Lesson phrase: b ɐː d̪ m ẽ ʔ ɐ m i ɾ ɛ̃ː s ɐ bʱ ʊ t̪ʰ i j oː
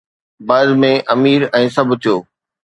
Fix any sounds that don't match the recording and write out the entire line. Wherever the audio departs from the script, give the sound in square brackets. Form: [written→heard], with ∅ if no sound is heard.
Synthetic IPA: b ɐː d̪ m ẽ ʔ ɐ m [i→iː] ɾ ɛ̃ː s ɐ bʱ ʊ t̪ʰ i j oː